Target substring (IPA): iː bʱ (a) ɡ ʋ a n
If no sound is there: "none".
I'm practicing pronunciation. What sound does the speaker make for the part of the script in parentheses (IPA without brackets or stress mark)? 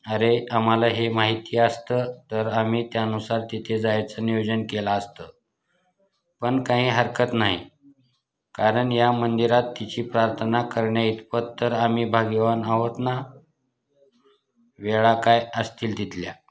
a